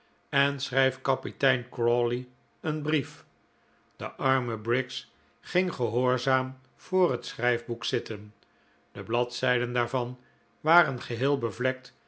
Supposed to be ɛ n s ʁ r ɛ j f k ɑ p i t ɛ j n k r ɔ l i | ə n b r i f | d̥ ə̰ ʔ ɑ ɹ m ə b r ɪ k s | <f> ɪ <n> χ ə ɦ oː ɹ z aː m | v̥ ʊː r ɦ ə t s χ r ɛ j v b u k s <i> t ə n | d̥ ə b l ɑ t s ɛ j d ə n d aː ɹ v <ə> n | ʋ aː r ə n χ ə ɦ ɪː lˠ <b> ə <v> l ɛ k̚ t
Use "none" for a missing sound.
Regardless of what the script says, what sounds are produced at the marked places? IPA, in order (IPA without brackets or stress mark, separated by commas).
χ, ŋ, ɪ, ɑ, b, v